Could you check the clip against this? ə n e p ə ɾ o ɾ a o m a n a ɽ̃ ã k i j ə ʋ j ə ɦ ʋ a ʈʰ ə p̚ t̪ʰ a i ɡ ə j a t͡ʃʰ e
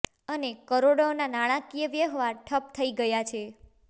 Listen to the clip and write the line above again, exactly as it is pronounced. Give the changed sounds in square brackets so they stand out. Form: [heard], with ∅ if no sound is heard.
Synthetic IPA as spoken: ə n e [k] ə ɾ o [ɽ] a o [n] a n a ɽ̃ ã k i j ə ʋ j ə ɦ ʋ a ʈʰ ə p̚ t̪ʰ [ə] i ɡ ə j a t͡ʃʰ e